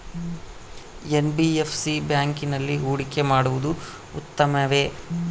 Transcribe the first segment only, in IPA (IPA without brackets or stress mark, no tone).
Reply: e